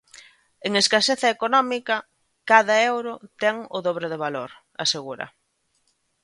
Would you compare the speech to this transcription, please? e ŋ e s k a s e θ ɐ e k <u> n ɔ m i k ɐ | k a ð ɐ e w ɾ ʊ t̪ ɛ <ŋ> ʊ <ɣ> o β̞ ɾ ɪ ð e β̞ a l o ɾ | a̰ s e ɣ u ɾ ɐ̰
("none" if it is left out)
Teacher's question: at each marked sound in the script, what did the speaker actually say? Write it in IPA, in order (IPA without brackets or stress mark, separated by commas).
o, ŋ, ð